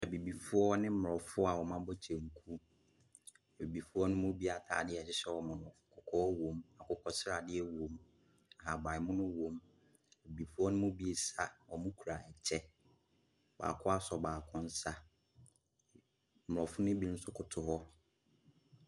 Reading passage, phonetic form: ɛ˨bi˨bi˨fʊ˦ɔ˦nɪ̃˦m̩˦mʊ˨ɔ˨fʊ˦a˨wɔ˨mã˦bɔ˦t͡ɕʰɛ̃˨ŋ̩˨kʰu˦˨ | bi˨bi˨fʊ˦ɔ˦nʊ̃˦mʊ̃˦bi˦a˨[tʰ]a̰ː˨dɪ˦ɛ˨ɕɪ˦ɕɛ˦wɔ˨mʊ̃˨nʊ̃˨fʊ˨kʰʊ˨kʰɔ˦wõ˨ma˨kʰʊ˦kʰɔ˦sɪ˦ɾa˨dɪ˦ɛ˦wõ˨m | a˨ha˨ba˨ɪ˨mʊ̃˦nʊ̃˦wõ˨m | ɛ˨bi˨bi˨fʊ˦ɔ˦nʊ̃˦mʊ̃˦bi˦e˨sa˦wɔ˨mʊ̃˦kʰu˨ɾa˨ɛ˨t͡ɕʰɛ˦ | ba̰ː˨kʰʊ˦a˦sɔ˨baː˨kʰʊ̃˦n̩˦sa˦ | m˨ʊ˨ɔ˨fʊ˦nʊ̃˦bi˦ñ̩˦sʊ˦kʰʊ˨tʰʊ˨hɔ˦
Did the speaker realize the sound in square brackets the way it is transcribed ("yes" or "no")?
yes